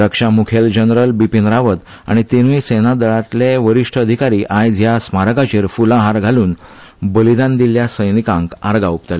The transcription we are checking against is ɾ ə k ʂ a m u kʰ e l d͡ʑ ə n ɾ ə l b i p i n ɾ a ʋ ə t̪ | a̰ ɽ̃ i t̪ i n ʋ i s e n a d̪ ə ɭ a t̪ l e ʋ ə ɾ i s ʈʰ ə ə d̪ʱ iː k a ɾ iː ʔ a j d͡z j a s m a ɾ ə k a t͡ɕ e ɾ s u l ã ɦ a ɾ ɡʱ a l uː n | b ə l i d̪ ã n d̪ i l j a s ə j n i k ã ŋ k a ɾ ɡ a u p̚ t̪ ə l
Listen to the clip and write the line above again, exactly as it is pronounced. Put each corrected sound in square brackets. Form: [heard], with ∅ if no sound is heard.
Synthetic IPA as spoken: ɾ ə k ʂ a m u kʰ e l d͡ʑ ə n ɾ ə l b i p i n ɾ a ʋ ə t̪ | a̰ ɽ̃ i t̪ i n ʋ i s e n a d̪ ə ɭ a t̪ l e ʋ ə ɾ i [ʂ] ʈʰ ə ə d̪ʱ [i] k a ɾ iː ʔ a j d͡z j a s m a ɾ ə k a t͡ɕ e ɾ [f] u l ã ɦ a ɾ ɡʱ a l uː n | b ə l i d̪ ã n d̪ i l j a s ə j n i k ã ŋ k a ɾ ɡ a u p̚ t̪ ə l